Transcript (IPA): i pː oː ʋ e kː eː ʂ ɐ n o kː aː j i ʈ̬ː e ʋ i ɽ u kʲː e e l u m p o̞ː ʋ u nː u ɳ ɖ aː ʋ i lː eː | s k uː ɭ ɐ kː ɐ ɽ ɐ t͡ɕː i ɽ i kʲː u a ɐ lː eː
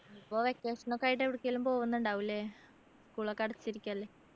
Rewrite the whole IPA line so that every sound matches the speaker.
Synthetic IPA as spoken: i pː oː ʋ e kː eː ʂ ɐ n o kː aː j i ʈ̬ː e ʋ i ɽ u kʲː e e l u m p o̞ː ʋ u nː u ɳ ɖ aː ʋ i lː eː | s k uː ɭ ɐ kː ɐ ɽ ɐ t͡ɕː i ɾ i kʲː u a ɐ lː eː